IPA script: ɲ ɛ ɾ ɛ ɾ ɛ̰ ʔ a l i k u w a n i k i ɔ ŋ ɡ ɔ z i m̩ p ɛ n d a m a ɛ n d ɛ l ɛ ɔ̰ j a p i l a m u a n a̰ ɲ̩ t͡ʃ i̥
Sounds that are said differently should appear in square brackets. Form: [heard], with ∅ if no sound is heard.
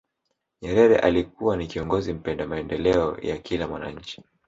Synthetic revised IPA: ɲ ɛ ɾ ɛ ɾ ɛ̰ ʔ a l i k u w a n i k i ɔ ŋ ɡ ɔ z i m̩ p ɛ n d a m a ɛ n d ɛ l ɛ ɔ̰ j a [k] i l a m [w] a n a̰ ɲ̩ t͡ʃ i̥